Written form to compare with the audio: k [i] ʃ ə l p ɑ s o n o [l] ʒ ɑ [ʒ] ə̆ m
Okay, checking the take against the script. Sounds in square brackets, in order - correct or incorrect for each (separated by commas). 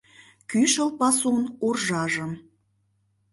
incorrect, incorrect, correct